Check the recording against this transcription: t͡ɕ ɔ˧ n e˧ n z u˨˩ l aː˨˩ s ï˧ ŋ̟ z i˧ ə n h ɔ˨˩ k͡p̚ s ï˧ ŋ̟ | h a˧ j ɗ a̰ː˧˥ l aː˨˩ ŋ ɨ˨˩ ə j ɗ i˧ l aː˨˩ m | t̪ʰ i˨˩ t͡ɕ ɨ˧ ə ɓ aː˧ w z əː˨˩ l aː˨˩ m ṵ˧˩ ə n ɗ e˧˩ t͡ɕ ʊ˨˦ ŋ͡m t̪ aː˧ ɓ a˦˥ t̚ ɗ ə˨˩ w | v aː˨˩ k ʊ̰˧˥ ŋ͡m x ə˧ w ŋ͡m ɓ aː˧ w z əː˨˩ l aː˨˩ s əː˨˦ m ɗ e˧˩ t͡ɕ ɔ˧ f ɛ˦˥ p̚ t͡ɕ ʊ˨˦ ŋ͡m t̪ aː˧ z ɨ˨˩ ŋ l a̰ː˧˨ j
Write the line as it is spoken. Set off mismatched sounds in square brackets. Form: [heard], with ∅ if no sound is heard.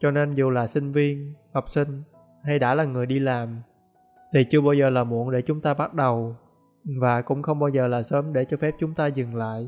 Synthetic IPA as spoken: t͡ɕ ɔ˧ n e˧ n z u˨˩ l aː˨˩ s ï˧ ŋ̟ [v] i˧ ə n h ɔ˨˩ k͡p̚ s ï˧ ŋ̟ | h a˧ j ɗ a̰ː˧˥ l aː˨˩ ŋ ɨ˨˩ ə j ɗ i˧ l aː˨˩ m | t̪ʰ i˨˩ t͡ɕ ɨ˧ ə ɓ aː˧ w z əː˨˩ l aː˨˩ m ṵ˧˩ ə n ɗ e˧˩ t͡ɕ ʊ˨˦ ŋ͡m t̪ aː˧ ɓ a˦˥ t̚ ɗ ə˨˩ w | v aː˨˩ k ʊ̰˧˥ ŋ͡m x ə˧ w ŋ͡m ɓ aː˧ w z əː˨˩ l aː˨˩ s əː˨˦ m ɗ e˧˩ t͡ɕ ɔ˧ f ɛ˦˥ p̚ t͡ɕ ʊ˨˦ ŋ͡m t̪ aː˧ z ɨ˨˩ ŋ l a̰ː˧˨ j